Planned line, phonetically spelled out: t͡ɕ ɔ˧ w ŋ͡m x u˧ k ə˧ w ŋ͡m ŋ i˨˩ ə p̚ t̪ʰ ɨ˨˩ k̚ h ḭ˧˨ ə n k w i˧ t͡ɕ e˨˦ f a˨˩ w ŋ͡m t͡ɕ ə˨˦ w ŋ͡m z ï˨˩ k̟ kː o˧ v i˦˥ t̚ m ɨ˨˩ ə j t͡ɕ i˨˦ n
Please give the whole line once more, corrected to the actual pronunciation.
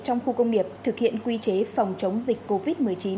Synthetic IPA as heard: t͡ɕ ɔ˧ w ŋ͡m x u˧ k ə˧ w ŋ͡m ŋ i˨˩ ə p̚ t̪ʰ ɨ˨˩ k̚ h ḭ˧˨ ə n k w i˧ t͡ɕ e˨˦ f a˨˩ w ŋ͡m t͡ɕ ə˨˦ w ŋ͡m z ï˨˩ k̟ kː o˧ v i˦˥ t̚ m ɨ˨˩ ə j t͡ɕ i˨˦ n